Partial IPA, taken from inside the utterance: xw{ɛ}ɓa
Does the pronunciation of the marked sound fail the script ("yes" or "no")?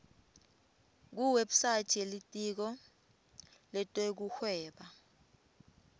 yes